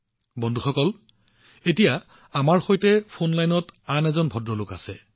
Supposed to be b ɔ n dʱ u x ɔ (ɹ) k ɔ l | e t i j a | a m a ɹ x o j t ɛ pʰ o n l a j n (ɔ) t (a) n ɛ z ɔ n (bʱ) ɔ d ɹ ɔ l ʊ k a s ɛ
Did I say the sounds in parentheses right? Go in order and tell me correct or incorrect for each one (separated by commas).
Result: incorrect, correct, correct, correct